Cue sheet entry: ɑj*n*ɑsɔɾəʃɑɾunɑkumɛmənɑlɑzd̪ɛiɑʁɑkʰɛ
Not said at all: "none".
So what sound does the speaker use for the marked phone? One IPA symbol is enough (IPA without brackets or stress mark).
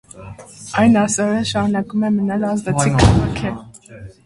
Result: n